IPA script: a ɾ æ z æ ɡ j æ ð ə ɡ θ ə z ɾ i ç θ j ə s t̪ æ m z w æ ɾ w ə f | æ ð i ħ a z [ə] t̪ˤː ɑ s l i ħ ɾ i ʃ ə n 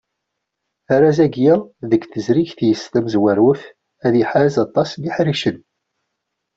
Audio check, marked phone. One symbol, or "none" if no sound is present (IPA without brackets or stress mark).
ɑ